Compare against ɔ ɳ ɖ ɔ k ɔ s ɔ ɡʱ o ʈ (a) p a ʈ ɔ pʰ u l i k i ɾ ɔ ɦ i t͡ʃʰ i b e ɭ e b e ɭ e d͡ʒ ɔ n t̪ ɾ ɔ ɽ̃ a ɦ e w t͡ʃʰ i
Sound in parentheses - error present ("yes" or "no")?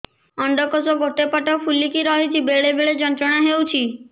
yes